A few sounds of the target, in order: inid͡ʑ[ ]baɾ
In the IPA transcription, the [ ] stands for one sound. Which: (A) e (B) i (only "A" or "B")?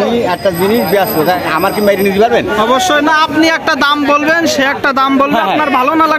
B